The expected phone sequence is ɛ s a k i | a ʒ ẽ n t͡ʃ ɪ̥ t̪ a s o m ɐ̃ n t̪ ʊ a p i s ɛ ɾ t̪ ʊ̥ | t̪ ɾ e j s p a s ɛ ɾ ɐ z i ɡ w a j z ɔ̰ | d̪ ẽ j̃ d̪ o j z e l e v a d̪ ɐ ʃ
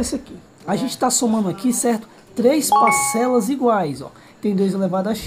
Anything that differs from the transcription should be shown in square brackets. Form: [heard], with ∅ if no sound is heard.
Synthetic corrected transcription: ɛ s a k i | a ʒ ẽ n t͡ʃ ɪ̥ t̪ a s o m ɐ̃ n [d̪] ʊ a [k] i s ɛ ɾ t̪ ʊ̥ | t̪ ɾ e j s p a s ɛ [l] ɐ z i ɡ w a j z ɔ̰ | [t̪] ẽ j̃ d̪ o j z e l e v a d̪ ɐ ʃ